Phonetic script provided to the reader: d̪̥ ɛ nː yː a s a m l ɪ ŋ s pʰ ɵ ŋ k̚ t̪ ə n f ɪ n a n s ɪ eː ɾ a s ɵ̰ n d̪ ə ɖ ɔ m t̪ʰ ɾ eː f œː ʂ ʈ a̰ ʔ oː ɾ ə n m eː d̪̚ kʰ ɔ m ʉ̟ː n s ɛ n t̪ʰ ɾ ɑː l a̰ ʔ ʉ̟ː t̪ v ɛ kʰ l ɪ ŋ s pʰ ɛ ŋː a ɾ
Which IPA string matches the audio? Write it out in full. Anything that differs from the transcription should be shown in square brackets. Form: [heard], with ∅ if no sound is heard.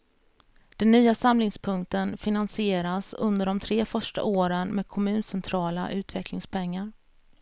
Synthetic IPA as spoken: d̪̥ ɛ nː yː a s a m l ɪ ŋ s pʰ ɵ ŋ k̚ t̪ ə n f ɪ n a n s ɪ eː ɾ a s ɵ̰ n d̪ ə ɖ ɔ m t̪ʰ ɾ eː f [œ] ʂ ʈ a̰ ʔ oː ɾ ə n m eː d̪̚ kʰ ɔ m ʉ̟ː n s ɛ n t̪ʰ ɾ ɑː l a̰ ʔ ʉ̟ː t̪ v ɛ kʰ l ɪ ŋ s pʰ ɛ ŋː a ɾ

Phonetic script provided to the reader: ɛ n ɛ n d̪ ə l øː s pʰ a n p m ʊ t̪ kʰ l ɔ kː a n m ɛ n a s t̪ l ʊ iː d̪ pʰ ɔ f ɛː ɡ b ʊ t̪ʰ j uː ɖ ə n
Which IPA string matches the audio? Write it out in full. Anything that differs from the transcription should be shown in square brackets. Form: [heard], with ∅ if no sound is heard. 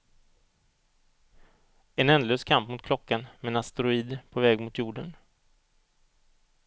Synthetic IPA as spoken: ɛ n ɛ n d̪ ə l øː s [kʰ] a [m] p m ʊ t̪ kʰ l ɔ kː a n m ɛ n a s t̪ [ɾ] ʊ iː d̪ pʰ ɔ [v] ɛː ɡ [m] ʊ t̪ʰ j uː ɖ ə n

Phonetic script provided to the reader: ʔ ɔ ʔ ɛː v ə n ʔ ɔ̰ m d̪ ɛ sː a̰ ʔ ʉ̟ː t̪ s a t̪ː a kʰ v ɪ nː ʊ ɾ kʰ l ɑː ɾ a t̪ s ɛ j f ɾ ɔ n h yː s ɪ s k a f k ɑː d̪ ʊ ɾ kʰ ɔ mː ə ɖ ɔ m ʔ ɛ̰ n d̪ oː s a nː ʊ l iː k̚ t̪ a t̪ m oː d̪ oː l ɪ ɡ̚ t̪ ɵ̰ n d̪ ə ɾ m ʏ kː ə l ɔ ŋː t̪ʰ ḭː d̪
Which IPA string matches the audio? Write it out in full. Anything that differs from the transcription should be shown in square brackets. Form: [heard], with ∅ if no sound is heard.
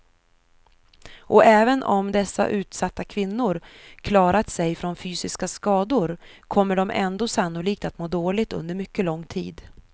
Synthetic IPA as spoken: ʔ ɔ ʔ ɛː v ə n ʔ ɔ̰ m d̪ ɛ sː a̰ ʔ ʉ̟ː t̪ s a t̪ː a kʰ v ɪ nː ʊ ɾ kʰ l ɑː ɾ a t̪ s ɛ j f ɾ ɔ n [f] yː s ɪ s k a [s] k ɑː d̪ ʊ ɾ kʰ ɔ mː ə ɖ ɔ m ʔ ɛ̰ n d̪ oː s a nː ʊ l iː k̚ t̪ a t̪ m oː d̪ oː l ɪ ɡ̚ t̪ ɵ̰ n d̪ ə ɾ m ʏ kː ə l ɔ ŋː t̪ʰ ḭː d̪

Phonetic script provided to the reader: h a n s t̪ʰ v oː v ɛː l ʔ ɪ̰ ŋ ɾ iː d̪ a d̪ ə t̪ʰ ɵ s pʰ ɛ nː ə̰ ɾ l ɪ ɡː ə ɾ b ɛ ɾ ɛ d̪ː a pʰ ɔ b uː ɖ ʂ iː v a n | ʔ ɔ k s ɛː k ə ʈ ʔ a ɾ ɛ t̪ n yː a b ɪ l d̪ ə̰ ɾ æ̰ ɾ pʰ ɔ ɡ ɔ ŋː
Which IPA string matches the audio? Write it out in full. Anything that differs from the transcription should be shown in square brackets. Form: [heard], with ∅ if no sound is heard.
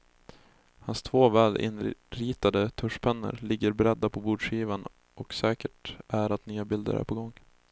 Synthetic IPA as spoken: h a n s t̪ʰ v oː v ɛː l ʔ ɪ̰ [n] ɾ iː [t̪] a d̪ ə t̪ʰ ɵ [ʂ] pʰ ɛ nː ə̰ ɾ l ɪ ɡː ə ɾ b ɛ ɾ ɛ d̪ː a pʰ ɔ b uː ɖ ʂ iː v a n | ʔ ɔ k s ɛː k ə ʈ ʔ [æ] ɾ [a] t̪ n yː a b ɪ l d̪ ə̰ ɾ æ̰ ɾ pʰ ɔ ɡ ɔ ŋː

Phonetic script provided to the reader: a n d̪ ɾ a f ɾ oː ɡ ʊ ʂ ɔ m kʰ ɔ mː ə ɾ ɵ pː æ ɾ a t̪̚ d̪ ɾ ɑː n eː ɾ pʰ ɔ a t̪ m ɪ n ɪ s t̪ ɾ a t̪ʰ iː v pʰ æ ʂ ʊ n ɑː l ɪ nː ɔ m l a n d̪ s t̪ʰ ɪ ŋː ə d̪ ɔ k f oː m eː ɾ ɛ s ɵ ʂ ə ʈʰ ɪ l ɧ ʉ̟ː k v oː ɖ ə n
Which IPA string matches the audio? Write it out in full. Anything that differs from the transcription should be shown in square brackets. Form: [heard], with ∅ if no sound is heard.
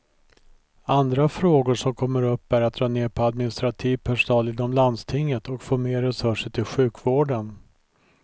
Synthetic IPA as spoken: a n d̪ ɾ a f ɾ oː ɡ ʊ ʂ ɔ m kʰ ɔ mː ə ɾ ɵ pː æ ɾ a t̪̚ d̪ ɾ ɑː n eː ɾ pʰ ɔ a [d̪] m ɪ n ɪ s t̪ ɾ a t̪ʰ iː v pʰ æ ʂ ʊ n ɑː l ɪ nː ɔ m l a n d̪ s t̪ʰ ɪ ŋː ə [t̪] ɔ k f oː m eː ɾ ɛ s ɵ ʂ ə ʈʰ ɪ l ɧ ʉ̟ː k v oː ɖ ə n

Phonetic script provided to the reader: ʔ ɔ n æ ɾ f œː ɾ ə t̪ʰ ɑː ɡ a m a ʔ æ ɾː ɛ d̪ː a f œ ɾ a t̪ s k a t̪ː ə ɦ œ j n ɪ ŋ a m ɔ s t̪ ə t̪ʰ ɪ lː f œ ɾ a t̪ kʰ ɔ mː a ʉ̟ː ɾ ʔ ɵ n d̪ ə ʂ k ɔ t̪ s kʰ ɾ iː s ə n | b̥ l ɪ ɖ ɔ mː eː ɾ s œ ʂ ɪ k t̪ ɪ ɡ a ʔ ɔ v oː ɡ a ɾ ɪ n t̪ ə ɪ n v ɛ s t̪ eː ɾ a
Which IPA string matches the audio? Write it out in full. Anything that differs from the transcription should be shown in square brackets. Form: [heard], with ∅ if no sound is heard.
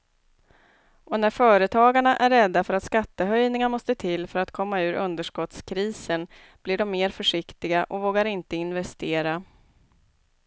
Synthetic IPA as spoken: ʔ ɔ n æ ɾ f œː ɾ ə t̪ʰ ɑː ɡ a [ɳ] a ʔ æ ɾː ɛ d̪ː a f œ ɾ a t̪ s k a t̪ː ə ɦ œ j n ɪ ŋ a m ɔ s t̪ ə t̪ʰ ɪ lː f œ ɾ a t̪ kʰ ɔ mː a ʉ̟ː ɾ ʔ ɵ n d̪ ə ʂ k ɔ t̪ s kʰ ɾ iː s ə n | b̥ l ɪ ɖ ɔ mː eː ɾ [f] œ ʂ ɪ k t̪ ɪ ɡ a ʔ ɔ v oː ɡ a ɾ ɪ n t̪ ə ɪ n v ɛ s t̪ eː ɾ a

